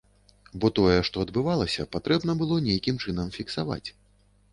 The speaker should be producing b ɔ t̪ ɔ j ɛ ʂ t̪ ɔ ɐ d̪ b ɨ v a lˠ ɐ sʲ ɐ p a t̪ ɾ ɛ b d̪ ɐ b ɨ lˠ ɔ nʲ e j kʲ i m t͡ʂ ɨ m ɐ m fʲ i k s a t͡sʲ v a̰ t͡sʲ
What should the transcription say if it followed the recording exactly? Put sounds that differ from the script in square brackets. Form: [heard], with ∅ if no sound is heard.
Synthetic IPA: b ɔ t̪ ɔ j ɛ ʂ t̪ ɔ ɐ d̪ b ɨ v a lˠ ɐ sʲ ɐ p a t̪ ɾ ɛ b [n̪] ɐ b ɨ lˠ ɔ nʲ e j kʲ i m t͡ʂ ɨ [n] ɐ m fʲ i k s a [∅] v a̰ t͡sʲ